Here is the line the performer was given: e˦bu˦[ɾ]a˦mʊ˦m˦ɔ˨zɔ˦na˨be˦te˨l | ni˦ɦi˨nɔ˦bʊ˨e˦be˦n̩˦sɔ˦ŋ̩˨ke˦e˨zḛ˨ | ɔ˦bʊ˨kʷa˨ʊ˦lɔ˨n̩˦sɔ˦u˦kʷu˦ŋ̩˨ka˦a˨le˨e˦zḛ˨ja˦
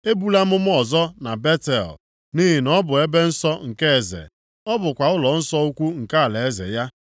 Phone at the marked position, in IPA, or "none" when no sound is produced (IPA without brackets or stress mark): l